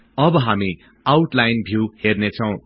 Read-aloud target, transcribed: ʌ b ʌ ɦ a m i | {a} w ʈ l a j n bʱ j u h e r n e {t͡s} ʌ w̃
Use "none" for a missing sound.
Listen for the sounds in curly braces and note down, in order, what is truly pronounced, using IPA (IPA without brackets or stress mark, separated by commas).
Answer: a, t͡sʰ